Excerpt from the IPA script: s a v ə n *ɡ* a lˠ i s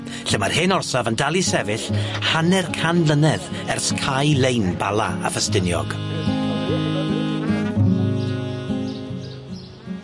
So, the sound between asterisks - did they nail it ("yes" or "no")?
no